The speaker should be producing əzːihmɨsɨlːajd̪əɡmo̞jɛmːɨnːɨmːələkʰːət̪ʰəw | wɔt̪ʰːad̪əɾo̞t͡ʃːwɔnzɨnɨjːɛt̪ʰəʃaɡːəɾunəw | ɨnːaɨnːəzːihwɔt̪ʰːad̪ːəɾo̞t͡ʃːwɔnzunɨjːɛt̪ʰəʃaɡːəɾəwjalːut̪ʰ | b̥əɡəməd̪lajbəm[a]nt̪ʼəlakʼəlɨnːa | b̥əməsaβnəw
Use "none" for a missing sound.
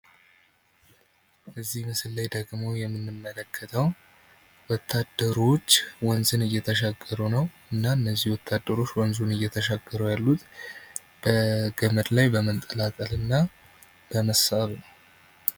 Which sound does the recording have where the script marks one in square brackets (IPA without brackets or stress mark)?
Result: ə